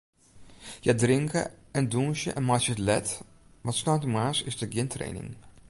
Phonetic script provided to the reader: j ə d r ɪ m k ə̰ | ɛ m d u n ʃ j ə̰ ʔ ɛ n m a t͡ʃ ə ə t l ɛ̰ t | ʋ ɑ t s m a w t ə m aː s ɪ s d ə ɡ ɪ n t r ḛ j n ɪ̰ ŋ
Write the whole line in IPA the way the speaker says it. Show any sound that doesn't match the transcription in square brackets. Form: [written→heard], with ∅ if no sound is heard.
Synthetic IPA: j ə d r ɪ [m→ŋ] k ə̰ | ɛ [m→n] d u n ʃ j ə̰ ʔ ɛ n m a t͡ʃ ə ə t l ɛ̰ t | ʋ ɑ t s [m→n] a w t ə m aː s ɪ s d ə ɡ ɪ n t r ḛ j n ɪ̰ ŋ